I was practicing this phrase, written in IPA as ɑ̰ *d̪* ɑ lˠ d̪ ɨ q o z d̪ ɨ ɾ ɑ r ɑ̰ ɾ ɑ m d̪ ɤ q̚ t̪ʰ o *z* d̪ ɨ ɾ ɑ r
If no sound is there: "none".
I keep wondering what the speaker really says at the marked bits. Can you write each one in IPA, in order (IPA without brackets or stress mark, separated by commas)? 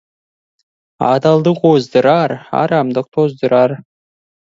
d̪, z